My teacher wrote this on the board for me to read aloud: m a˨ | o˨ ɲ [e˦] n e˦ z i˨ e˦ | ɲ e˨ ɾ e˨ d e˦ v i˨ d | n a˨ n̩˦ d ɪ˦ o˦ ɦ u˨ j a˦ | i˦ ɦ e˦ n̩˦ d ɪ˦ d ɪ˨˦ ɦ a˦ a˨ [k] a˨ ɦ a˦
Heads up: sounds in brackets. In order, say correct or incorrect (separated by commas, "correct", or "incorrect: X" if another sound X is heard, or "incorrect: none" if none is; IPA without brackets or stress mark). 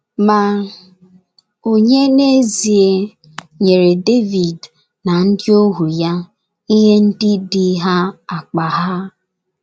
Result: correct, incorrect: k͡p